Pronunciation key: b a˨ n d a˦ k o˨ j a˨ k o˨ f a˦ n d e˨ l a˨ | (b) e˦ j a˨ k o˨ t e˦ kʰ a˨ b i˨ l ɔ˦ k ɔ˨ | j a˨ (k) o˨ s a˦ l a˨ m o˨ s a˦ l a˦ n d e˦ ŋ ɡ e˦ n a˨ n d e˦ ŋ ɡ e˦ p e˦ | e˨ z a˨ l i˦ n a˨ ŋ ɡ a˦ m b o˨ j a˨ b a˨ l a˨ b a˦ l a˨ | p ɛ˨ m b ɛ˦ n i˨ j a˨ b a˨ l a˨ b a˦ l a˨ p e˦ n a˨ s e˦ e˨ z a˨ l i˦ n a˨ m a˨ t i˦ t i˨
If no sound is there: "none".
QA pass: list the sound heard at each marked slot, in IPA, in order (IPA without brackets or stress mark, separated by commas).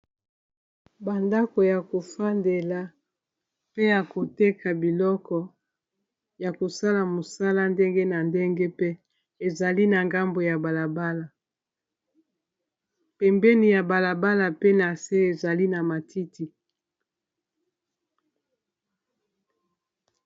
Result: p, k